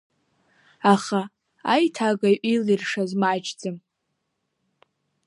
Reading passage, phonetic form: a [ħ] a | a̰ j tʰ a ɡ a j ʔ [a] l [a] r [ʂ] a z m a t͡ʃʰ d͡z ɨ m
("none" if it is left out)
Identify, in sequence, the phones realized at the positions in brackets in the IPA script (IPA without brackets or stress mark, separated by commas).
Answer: χ, i, i, ʂ